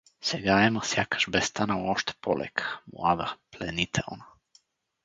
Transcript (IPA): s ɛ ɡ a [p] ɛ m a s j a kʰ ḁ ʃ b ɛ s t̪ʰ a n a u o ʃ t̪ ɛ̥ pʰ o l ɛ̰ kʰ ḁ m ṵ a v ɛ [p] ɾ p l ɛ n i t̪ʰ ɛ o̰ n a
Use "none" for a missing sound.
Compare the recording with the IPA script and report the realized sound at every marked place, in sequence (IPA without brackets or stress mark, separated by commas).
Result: none, none